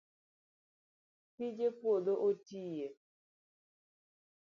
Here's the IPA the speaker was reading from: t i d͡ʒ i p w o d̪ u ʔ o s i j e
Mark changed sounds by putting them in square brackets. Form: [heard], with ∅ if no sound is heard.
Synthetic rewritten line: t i d͡ʒ [e] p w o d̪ [o] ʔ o [t] i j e